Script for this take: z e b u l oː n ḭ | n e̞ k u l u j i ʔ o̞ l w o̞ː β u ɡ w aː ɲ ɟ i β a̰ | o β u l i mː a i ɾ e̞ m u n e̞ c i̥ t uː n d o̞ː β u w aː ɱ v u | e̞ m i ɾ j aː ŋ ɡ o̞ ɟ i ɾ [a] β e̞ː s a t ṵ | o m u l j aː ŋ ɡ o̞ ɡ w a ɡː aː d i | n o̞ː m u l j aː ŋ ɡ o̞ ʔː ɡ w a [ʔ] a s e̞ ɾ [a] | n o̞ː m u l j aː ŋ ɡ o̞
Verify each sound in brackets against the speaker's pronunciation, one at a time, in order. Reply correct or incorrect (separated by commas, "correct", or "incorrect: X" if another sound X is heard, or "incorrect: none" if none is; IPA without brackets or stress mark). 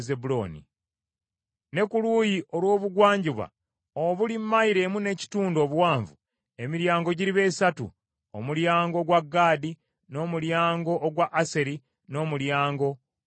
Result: incorrect: i, correct, incorrect: i